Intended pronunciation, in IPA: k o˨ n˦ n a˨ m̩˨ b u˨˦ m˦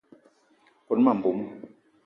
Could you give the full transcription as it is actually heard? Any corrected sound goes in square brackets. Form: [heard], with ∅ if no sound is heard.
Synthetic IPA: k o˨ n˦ [m] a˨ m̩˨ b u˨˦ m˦